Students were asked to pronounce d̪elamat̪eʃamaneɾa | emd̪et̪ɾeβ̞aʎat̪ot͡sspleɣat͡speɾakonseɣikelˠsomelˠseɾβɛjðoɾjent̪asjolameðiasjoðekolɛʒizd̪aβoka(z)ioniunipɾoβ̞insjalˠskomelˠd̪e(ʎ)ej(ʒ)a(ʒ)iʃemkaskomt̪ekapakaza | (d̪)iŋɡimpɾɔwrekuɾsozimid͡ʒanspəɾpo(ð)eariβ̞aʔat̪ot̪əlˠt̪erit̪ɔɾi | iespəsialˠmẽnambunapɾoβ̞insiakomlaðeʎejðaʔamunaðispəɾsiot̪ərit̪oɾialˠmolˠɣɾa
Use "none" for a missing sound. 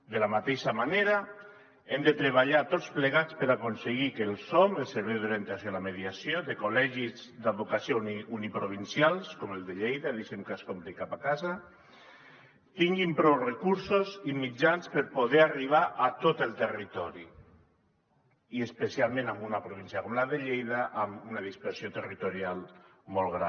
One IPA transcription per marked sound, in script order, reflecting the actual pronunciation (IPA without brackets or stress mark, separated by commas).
s, ʎ, ð, ð, t̪, ð